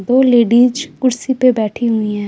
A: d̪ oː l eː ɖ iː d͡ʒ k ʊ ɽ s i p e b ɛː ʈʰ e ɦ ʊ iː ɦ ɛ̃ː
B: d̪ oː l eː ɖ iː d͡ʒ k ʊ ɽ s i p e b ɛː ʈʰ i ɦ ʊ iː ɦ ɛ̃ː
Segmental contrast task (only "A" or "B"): B